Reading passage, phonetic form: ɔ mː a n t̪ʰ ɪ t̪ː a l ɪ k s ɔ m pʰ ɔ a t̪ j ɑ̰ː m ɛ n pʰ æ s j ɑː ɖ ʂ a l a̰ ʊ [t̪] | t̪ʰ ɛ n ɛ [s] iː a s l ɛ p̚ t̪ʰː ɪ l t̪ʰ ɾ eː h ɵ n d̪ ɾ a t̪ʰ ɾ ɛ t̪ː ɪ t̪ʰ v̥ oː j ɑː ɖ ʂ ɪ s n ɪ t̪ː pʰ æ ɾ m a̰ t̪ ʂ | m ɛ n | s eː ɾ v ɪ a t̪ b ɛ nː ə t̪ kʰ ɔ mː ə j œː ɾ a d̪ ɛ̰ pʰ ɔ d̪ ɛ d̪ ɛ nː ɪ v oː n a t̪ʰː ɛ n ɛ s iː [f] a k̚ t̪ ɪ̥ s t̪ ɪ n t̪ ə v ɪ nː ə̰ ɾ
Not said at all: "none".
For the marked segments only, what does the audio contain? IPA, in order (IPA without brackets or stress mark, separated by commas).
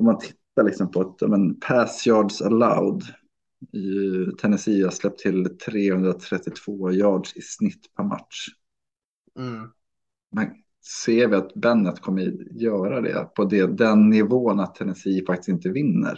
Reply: d̪, s, f